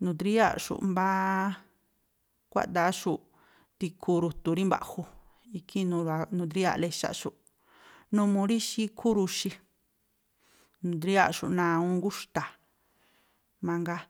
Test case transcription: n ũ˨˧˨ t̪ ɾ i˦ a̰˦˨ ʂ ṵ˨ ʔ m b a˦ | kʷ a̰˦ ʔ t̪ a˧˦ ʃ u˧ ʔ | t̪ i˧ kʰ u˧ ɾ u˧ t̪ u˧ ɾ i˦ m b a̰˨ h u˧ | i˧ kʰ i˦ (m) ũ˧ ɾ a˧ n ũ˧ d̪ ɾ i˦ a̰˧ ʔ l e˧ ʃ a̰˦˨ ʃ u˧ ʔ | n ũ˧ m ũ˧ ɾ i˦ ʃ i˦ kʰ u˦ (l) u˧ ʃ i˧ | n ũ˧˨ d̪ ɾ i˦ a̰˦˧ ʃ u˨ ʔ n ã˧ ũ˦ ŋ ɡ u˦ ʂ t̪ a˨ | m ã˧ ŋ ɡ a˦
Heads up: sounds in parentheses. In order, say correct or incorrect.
incorrect, incorrect

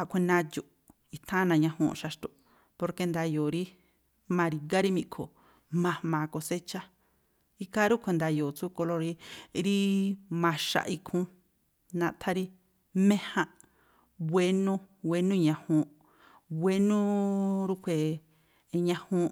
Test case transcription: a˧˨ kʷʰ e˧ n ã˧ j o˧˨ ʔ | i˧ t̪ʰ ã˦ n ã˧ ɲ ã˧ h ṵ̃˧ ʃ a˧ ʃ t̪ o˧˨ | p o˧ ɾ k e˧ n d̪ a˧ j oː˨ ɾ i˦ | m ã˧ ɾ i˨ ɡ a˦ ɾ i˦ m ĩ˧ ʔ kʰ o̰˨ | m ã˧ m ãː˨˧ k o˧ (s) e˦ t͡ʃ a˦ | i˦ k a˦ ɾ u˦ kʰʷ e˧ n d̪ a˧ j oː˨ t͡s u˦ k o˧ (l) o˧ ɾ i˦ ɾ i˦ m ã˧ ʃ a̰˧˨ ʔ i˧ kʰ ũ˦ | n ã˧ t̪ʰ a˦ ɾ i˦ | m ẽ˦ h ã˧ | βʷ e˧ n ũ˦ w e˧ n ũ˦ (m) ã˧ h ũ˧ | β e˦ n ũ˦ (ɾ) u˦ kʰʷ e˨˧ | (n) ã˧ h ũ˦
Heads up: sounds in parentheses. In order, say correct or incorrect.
correct, correct, incorrect, correct, incorrect

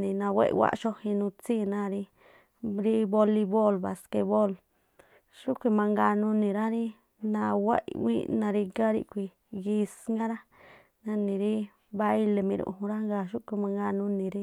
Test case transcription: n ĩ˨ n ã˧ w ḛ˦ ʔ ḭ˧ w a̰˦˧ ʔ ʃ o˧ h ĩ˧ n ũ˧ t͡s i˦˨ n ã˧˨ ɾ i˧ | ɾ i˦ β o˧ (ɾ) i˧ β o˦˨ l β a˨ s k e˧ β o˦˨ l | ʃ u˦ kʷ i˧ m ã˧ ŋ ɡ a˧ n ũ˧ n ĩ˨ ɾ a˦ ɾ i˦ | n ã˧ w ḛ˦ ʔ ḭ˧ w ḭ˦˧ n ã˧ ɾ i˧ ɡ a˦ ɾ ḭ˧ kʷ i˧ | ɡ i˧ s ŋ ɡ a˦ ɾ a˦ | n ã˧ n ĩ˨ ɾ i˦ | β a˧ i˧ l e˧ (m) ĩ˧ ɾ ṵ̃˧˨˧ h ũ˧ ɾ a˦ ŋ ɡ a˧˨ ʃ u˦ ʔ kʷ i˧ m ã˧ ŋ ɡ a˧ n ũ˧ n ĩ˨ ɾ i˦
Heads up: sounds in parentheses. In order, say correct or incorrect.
incorrect, correct

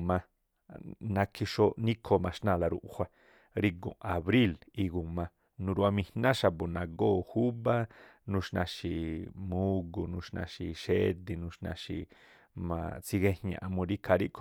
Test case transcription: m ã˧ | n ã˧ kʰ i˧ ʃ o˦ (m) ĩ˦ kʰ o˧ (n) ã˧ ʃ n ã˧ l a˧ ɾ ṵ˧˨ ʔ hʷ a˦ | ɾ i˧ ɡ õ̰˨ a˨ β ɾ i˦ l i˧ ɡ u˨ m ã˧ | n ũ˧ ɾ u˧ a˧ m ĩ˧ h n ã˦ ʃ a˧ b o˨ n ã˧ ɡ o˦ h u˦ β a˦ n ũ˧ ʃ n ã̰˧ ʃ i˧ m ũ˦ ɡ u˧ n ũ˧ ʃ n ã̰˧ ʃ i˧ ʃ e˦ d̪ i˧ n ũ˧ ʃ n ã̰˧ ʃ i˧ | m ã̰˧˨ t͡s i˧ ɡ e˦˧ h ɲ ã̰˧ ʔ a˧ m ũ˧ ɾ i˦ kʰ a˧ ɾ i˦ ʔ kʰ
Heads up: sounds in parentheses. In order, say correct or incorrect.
incorrect, incorrect

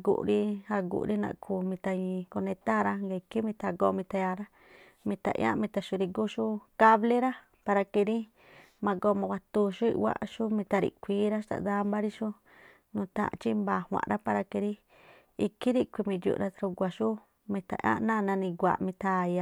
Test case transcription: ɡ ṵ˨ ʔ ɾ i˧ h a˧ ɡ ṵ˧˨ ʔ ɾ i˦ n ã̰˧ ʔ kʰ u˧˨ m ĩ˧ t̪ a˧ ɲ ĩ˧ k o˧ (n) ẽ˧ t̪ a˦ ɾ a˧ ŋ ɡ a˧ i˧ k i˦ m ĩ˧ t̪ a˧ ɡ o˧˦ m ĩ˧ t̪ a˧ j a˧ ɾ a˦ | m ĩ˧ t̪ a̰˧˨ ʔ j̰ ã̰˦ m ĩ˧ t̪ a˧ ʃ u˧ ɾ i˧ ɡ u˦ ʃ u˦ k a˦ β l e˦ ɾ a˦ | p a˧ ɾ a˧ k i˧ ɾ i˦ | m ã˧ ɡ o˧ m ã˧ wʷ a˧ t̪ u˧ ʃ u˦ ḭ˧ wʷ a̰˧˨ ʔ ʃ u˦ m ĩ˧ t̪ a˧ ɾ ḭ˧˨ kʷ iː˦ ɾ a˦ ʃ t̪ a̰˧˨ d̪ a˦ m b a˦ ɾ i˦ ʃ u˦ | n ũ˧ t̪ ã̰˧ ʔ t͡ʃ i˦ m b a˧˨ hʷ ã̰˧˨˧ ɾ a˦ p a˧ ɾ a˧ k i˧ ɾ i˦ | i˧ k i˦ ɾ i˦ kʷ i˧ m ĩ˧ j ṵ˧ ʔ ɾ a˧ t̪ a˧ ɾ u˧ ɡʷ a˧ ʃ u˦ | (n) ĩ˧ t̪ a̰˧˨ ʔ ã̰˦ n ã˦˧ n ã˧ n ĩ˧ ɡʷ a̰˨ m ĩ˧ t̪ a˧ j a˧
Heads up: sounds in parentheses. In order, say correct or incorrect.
correct, incorrect

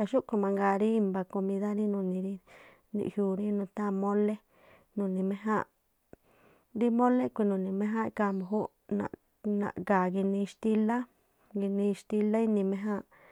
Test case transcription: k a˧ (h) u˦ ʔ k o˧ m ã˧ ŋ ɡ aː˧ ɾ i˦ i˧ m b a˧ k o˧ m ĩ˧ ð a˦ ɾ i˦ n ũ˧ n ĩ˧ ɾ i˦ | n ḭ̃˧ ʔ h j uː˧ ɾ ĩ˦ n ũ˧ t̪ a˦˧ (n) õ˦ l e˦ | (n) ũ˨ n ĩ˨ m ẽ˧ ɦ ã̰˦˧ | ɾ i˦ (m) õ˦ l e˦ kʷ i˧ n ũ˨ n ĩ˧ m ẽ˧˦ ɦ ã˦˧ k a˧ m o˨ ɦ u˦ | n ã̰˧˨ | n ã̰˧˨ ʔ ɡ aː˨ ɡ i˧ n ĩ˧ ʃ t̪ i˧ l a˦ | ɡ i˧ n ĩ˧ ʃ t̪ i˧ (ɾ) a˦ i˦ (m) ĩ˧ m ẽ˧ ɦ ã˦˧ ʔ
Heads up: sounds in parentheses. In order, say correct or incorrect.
incorrect, incorrect, correct, correct, incorrect, incorrect

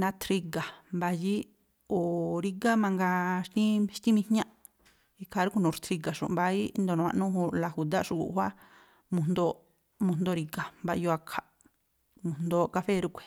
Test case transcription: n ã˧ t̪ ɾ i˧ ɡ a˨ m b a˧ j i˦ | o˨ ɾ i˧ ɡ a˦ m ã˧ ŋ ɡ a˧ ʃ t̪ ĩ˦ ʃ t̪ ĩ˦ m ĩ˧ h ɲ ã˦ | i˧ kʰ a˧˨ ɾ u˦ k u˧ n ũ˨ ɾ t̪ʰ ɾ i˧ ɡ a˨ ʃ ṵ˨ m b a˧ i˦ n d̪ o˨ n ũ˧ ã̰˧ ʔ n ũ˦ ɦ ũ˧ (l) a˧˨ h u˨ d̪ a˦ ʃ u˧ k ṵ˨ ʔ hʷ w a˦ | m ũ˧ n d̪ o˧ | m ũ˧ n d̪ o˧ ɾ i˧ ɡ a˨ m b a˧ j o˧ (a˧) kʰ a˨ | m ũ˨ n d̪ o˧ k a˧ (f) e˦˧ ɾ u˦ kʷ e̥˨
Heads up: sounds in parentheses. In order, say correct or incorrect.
correct, correct, correct

